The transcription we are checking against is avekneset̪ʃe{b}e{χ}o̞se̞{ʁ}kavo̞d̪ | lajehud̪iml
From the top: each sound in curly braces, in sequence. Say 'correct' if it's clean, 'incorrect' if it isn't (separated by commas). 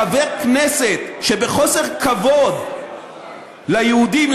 correct, correct, correct